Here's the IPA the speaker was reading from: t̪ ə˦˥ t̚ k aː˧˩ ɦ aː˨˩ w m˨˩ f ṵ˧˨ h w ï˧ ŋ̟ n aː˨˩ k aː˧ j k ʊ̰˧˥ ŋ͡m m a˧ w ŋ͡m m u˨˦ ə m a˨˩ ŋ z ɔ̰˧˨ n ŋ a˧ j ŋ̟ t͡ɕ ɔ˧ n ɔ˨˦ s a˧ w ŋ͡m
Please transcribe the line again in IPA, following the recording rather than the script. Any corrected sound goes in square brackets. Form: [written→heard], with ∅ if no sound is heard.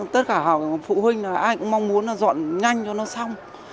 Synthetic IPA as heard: t̪ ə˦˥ t̚ k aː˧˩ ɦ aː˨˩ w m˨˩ f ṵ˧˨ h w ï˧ ŋ̟ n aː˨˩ [k→ʔ] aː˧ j k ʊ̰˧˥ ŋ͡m m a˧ w ŋ͡m m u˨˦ ə [m→n] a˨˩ [ŋ→∅] z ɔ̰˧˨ n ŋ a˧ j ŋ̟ t͡ɕ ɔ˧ n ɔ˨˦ s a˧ w ŋ͡m